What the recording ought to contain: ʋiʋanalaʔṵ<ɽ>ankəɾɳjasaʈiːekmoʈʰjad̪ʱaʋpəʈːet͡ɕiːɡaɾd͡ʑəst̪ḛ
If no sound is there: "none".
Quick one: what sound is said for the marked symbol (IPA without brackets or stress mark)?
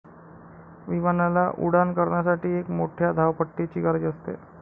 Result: ɽ